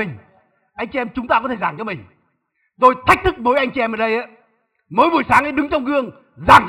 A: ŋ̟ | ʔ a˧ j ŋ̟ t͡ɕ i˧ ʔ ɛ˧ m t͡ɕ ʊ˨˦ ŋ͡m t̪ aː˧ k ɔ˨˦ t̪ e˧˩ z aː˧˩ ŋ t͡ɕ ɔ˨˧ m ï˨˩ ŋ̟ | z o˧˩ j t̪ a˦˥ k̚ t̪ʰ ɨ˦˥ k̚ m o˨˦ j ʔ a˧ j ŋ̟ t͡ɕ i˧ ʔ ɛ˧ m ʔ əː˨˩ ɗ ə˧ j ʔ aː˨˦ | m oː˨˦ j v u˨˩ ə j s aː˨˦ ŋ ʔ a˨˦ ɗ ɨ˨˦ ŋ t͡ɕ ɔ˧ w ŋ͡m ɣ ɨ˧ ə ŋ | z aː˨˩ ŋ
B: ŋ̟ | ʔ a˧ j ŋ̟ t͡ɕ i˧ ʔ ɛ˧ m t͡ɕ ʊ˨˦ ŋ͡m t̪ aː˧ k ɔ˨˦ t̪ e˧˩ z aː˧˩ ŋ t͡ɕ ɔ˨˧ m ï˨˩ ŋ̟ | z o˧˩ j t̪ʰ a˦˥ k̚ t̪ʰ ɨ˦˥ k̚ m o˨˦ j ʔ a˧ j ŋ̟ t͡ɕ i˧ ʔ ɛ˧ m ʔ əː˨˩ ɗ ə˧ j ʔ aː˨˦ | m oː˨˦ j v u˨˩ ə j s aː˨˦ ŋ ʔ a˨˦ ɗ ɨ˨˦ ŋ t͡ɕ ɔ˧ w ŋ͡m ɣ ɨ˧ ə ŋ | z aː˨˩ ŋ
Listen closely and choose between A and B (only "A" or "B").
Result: B